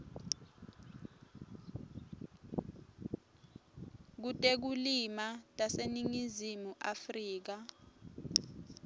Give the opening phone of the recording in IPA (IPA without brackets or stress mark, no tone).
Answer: k̬